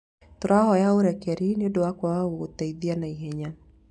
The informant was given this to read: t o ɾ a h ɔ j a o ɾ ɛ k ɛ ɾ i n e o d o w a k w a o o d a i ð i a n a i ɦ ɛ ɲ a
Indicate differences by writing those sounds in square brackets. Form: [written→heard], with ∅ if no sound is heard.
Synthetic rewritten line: t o ɾ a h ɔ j a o ɾ ɛ k ɛ ɾ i n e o d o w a k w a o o [d→t] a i ð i a n a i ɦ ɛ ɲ a